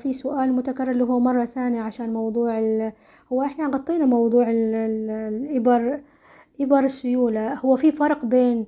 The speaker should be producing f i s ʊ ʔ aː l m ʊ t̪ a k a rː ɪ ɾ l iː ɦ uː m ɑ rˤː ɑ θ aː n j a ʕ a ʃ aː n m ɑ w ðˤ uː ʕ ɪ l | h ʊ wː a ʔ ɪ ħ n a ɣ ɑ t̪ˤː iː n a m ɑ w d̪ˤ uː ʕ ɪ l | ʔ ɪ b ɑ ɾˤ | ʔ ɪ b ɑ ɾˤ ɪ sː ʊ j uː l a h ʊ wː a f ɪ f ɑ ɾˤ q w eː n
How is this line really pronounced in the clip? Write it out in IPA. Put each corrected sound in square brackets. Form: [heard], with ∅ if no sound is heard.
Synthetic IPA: f i s ʊ ʔ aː l m ʊ t̪ a k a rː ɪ ɾ l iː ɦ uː m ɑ rˤː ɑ θ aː n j a ʕ a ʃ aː n m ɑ w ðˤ uː ʕ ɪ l | h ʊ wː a ʔ ɪ ħ n a ɣ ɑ t̪ˤː iː n a m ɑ w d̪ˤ uː ʕ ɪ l | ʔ ɪ b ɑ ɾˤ | ʔ ɪ b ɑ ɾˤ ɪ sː ʊ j uː l a h ʊ wː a f [i] f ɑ ɾˤ q [b] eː n